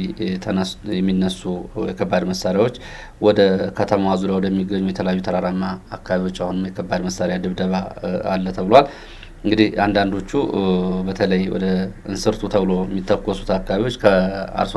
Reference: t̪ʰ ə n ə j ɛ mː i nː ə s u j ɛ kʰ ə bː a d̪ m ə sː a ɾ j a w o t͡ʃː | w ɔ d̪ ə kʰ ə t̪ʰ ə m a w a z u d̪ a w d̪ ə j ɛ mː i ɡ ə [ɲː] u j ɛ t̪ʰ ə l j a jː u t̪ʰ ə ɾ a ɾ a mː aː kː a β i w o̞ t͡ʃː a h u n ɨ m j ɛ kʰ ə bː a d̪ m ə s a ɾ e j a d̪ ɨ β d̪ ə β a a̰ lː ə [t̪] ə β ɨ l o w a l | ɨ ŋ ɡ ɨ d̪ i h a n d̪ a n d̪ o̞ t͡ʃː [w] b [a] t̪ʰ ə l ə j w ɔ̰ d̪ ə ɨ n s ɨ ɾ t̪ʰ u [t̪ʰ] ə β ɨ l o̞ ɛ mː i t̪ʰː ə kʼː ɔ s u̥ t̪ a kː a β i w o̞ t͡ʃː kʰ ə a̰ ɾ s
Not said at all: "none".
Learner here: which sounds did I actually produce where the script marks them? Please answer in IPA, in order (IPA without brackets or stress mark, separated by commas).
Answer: ɲː, t̪ʰ, u, ə, t̪ʰ